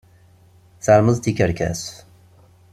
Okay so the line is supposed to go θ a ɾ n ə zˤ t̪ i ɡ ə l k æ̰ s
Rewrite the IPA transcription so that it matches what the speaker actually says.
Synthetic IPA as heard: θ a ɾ m ə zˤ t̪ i k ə ɾ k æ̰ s